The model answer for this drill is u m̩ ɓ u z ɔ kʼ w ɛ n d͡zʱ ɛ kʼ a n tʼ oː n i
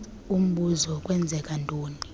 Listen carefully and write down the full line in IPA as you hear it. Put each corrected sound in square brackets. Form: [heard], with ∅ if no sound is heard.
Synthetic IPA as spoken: u m̩ ɓ u z ɔ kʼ w ɛ n d͡zʱ ɛ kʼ a n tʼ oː n i